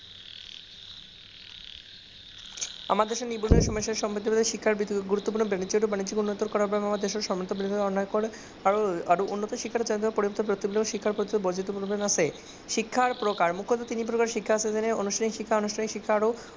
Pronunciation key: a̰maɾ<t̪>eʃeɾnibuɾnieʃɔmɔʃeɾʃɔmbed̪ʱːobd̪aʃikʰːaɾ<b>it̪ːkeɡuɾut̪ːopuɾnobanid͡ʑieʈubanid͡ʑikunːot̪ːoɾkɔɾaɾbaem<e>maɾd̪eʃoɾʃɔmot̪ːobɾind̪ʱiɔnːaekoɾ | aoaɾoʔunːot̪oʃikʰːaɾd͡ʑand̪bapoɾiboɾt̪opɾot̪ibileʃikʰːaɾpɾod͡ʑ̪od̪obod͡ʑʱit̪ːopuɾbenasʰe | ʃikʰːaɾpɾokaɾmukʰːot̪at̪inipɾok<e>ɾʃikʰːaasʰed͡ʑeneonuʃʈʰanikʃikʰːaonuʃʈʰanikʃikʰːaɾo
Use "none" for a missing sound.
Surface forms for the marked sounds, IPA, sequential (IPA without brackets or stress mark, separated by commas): d̪, b, a, a